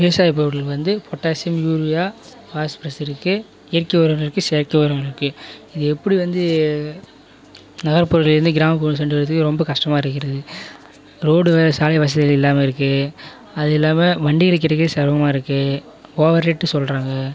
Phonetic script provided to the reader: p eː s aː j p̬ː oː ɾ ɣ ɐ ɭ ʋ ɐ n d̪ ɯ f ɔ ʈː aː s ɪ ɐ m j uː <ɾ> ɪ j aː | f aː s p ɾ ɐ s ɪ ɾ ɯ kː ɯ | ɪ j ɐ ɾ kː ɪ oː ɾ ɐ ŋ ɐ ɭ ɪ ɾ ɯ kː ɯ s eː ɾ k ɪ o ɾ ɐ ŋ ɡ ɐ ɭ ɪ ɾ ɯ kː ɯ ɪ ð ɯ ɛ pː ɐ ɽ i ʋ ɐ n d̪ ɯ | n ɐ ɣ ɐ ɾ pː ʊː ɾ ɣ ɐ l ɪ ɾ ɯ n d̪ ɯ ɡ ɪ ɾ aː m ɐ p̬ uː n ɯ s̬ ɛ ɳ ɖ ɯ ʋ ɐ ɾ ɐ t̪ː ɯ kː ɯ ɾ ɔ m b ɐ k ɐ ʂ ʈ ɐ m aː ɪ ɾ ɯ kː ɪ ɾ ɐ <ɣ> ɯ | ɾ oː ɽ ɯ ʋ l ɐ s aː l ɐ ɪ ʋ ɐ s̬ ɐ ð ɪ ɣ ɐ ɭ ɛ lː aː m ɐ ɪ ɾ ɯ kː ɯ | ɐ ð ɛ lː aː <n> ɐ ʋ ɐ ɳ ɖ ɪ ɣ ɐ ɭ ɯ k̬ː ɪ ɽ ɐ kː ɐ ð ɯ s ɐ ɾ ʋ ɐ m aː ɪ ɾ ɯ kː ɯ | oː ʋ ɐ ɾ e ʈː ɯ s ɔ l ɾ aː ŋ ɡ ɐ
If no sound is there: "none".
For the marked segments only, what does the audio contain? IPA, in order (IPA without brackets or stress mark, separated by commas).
ɾ, ð, m